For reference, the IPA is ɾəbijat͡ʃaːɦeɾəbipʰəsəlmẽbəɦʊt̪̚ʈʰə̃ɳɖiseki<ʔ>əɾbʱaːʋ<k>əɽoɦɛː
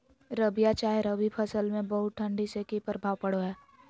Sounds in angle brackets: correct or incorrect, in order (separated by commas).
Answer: incorrect, incorrect